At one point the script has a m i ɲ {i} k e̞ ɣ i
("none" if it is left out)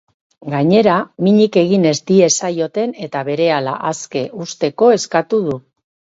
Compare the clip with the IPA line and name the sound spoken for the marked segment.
i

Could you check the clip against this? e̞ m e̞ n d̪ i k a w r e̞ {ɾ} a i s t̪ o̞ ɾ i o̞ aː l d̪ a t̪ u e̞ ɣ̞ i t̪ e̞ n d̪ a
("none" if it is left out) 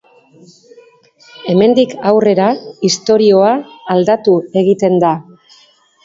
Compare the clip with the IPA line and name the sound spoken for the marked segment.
ɾ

